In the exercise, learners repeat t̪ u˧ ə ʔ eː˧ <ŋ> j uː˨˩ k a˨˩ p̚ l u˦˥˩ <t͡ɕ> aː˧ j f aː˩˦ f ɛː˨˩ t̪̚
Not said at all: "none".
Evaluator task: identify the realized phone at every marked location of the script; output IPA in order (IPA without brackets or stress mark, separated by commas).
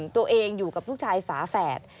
ŋ, t͡ɕʰ